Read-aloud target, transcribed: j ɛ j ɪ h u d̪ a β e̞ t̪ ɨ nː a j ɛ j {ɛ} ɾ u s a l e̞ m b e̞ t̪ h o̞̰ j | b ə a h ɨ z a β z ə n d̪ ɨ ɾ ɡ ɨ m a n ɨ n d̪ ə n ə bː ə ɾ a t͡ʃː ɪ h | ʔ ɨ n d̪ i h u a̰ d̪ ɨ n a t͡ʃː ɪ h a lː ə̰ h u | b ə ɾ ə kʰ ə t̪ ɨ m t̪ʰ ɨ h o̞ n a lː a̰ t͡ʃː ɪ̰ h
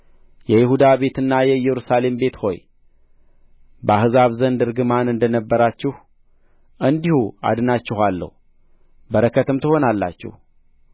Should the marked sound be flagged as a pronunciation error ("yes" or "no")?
no